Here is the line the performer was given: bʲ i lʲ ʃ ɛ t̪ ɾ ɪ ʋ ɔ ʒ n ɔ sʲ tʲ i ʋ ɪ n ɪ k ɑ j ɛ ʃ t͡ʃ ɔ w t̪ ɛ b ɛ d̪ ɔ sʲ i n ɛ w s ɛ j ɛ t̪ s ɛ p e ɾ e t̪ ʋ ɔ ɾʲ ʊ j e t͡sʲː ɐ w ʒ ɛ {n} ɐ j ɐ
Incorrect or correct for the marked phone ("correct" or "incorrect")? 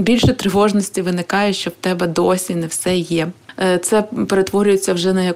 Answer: correct